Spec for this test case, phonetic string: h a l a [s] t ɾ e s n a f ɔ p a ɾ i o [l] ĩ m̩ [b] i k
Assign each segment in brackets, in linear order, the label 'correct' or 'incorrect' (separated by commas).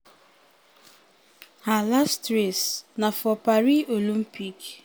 correct, correct, incorrect